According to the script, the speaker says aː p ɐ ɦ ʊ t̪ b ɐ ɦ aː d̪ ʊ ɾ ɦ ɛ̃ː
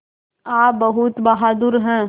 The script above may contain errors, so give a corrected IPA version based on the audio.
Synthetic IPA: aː b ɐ ɦ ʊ t̪ b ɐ ɦ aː d̪ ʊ ɾ ɦ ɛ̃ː